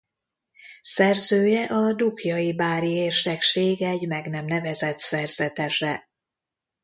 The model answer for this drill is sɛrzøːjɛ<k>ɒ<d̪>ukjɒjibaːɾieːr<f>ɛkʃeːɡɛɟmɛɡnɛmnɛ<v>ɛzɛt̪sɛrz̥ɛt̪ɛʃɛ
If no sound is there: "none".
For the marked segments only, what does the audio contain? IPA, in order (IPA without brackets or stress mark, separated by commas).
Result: ʔ, d̪, ʃ, v